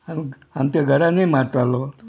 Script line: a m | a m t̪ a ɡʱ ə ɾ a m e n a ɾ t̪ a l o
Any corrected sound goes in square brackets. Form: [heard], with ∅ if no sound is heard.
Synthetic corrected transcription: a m | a m t̪ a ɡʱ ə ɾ a [n] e [m] a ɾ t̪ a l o